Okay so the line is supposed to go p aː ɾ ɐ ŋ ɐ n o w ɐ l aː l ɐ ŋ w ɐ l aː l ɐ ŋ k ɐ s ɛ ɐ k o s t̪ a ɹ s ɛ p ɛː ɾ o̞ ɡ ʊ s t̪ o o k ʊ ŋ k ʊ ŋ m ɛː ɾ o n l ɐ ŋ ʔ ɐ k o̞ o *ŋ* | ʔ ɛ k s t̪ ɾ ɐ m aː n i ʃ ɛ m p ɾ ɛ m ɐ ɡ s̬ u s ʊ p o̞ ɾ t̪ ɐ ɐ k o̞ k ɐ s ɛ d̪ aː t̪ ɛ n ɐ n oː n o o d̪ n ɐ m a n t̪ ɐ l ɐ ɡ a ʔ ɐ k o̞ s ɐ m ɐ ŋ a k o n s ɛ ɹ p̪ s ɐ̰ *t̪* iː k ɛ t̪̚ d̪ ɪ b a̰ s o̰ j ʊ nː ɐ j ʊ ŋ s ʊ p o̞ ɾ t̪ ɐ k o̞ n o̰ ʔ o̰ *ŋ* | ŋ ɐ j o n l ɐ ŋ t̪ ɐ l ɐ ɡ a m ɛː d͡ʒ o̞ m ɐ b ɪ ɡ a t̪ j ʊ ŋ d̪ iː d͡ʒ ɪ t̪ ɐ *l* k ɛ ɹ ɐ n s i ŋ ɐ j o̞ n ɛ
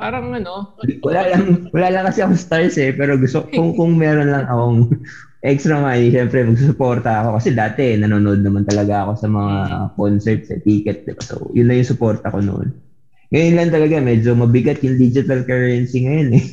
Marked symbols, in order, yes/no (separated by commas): yes, yes, no, yes